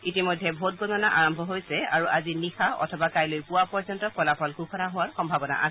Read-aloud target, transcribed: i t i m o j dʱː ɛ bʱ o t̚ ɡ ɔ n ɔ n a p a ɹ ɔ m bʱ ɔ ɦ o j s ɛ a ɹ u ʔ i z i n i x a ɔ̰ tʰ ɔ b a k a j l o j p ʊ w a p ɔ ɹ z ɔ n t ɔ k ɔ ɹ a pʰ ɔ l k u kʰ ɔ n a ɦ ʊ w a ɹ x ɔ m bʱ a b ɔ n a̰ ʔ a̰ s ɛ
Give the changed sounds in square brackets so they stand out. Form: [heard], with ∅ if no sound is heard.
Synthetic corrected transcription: i t i m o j dʱː ɛ bʱ o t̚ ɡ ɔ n ɔ n a [ʔ] a ɹ ɔ m bʱ ɔ ɦ o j s ɛ a ɹ u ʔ [a] z i n i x a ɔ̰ tʰ ɔ b a k a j l o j p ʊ w a p ɔ ɹ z ɔ n t ɔ k ɔ [l] a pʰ ɔ l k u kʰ ɔ n a ɦ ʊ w a ɹ x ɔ m bʱ a b ɔ n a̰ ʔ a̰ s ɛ

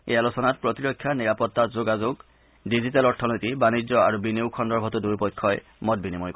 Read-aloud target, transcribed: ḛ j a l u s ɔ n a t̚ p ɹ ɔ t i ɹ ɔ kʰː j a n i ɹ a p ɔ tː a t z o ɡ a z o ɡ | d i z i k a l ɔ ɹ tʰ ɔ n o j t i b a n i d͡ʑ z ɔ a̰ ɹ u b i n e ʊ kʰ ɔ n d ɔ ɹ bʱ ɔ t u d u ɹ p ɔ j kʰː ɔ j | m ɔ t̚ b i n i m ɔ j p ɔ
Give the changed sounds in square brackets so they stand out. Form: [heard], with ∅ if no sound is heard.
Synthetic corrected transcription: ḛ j a l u s ɔ n a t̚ p ɹ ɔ t i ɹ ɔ kʰː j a n i ɹ a p ɔ tː a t z o ɡ a z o ɡ | d i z i [t] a l ɔ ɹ tʰ ɔ n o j t i b a n i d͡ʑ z ɔ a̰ ɹ u b i n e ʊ kʰ ɔ n d ɔ ɹ bʱ ɔ t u d u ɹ p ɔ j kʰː ɔ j | m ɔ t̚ b i n i m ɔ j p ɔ

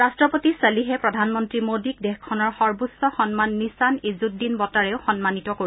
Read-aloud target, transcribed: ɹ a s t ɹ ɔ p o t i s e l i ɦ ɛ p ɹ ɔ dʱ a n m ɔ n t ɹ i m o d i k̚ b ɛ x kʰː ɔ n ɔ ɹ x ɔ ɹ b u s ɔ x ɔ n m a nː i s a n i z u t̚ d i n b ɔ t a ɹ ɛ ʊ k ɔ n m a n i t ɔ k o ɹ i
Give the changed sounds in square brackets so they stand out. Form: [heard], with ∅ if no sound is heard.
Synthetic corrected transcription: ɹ a s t ɹ ɔ p o t i s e l i ɦ ɛ p ɹ ɔ dʱ a n m ɔ n t ɹ i m o d i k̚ [d] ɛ x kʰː ɔ n ɔ ɹ x ɔ ɹ b u s ɔ x ɔ n m a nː i s a n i z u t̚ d i n b ɔ t a ɹ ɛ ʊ [x] ɔ n m a n i t ɔ k o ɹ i

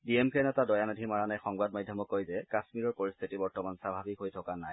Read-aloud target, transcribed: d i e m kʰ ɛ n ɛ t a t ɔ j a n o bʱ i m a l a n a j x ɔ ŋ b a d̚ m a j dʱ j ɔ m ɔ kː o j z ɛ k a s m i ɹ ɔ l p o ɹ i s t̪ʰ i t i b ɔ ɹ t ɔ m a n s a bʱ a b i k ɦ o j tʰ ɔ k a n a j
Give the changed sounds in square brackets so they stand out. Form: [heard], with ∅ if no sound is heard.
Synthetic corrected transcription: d i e m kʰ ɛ n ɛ t a [d] ɔ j a n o [dʱ] i m a [ɹ] a n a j x ɔ ŋ b a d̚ m a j dʱ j ɔ m ɔ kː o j z ɛ k a s m i ɹ ɔ [ɹ] p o ɹ i s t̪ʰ i t i b ɔ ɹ t ɔ m a n s a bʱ a b i k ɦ o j tʰ ɔ k a n a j

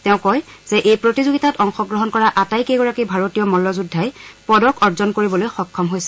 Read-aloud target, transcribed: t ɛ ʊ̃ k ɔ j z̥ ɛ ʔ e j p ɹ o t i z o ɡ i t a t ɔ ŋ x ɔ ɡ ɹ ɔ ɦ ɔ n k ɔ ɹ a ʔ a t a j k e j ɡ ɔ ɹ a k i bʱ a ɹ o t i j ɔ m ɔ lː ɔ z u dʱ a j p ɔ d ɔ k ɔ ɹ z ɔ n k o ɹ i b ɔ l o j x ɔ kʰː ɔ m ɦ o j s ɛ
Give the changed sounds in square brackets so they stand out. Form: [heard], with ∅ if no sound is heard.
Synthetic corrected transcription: t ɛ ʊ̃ k ɔ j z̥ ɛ ʔ e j p ɹ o t i z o ɡ i t a t ɔ ŋ x ɔ ɡ ɹ ɔ ɦ ɔ n k ɔ ɹ a ʔ a t a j k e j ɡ ɔ ɹ a k i bʱ a ɹ o t i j ɔ m ɔ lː ɔ z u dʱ a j p ɔ d ɔ k ɔ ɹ z ɔ n k o ɹ i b ɔ l o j x ɔ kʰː ɔ m ɦ o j s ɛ

